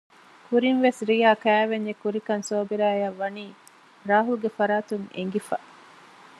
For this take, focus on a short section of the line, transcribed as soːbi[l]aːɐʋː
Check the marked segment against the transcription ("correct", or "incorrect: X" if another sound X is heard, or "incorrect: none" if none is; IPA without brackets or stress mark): incorrect: ɾ